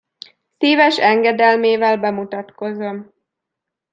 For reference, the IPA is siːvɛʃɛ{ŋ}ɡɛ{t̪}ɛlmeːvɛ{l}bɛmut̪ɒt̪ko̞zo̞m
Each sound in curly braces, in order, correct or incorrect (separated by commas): correct, incorrect, correct